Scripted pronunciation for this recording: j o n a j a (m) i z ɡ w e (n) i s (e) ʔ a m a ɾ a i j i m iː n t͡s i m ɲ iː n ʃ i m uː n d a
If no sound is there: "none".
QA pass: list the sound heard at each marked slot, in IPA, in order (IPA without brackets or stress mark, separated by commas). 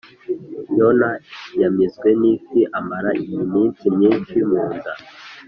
m, n, i